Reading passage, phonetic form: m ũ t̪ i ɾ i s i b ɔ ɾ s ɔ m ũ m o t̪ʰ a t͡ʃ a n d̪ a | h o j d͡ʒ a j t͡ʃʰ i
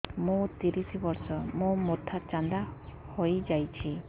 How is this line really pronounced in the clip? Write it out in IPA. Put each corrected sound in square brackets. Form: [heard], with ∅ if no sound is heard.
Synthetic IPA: m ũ t̪ i ɾ i s i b ɔ ɾ s ɔ m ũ m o t̪ʰ a t͡ʃ a n d̪ a | h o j d͡ʒ a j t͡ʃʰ i

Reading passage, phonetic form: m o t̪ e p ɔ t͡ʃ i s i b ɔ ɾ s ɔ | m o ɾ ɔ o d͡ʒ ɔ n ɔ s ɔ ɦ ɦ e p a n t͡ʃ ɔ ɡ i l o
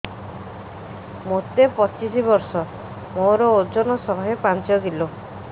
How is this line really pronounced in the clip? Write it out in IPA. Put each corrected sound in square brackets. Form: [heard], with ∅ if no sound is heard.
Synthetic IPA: m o t̪ e p ɔ t͡ʃ i s i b ɔ ɾ s ɔ | m o ɾ ɔ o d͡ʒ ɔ n ɔ s ɔ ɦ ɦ e p a n t͡ʃ ɔ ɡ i l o

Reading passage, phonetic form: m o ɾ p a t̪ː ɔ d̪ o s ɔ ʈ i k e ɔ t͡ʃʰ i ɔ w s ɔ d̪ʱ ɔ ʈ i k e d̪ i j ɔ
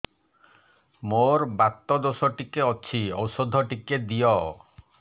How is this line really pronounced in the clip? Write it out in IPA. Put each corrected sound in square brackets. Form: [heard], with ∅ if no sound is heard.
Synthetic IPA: m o ɾ [b] a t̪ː ɔ d̪ o s ɔ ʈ i k e ɔ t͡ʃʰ i ɔ w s ɔ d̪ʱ ɔ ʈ i k e d̪ i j ɔ

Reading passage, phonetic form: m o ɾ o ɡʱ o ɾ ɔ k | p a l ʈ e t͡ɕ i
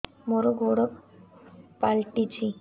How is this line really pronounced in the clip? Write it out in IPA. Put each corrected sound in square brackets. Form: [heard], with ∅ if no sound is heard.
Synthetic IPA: m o ɾ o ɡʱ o [ɽ] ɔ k | p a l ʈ [i] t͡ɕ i

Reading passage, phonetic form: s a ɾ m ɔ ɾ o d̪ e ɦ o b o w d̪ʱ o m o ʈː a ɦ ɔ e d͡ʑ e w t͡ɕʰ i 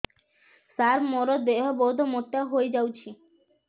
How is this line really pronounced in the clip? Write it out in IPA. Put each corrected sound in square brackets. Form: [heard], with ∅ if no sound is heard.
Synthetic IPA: s a ɾ m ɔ ɾ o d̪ e ɦ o b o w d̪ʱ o m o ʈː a ɦ [o] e d͡ʑ [a] w t͡ɕʰ i

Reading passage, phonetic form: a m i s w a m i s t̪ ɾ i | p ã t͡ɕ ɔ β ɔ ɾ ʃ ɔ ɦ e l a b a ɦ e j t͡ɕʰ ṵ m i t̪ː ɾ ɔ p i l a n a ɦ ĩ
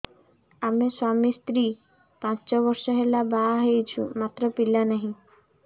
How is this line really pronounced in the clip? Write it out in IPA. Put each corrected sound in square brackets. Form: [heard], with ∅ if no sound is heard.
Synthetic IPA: a m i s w a m i s t̪ ɾ i | p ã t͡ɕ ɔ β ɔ ɾ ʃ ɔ ɦ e l a b a ɦ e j t͡ɕʰ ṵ m [a] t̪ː ɾ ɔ p i l a n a ɦ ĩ

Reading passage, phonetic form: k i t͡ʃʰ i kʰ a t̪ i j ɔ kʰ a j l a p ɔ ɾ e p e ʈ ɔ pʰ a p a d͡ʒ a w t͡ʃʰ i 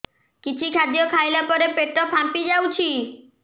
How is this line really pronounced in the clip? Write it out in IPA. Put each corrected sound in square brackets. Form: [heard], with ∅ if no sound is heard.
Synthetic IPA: k i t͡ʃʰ i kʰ a [d̪] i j ɔ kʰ a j l a p ɔ ɾ e p e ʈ ɔ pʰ a p [i] d͡ʒ a w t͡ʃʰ i

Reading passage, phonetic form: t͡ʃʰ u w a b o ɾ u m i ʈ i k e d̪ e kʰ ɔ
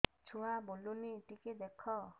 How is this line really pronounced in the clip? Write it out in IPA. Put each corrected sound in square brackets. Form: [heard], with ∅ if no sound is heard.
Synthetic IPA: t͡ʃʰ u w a b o [l] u [n] i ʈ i k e d̪ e kʰ ɔ

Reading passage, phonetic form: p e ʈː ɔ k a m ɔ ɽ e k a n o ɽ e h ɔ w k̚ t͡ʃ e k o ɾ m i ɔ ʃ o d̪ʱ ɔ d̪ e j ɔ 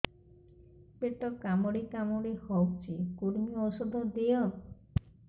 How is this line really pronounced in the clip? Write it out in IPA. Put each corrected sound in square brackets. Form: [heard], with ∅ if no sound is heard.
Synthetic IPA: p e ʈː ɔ k a m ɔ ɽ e k a [m] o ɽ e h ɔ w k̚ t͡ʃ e k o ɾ m i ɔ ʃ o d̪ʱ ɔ d̪ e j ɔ

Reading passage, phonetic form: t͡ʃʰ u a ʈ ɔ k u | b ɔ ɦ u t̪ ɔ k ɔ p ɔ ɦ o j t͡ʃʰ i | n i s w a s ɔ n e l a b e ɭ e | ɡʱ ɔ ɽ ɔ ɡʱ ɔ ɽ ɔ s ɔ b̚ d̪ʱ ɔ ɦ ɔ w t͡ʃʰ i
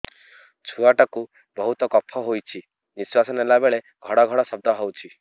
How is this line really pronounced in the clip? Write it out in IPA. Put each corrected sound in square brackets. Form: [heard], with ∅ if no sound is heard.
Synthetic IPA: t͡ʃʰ u a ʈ ɔ k u | b ɔ ɦ u t̪ ɔ k ɔ [pʰ] ɔ ɦ o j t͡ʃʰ i | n i s w a s ɔ n e l a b e ɭ e | ɡʱ ɔ ɽ ɔ ɡʱ ɔ ɽ ɔ s ɔ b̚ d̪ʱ ɔ ɦ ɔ w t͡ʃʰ i

